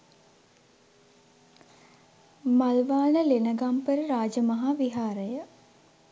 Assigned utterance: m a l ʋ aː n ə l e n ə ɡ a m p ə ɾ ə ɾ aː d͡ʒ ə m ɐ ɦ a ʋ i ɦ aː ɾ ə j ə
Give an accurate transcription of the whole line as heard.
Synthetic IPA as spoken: m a l ʋ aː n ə l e n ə ɡ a m p ə ɾ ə ɾ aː d͡ʒ ə m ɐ ɦ a ʋ i ɦ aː ɾ ə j ə